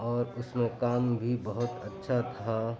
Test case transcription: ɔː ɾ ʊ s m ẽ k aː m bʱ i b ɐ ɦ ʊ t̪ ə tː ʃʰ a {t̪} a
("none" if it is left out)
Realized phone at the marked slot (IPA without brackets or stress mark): t̪ʰ